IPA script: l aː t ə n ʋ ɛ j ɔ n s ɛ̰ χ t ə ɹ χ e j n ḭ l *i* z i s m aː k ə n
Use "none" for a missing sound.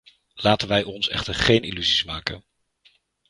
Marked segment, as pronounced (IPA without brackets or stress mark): y